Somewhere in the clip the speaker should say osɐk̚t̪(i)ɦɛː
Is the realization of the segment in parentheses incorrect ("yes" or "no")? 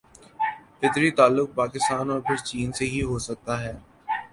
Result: yes